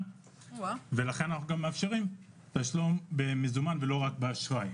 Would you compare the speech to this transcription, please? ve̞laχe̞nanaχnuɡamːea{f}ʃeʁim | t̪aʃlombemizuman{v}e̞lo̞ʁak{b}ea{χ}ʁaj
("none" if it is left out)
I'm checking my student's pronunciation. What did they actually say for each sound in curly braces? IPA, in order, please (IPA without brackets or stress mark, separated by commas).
f, v, b, ʃ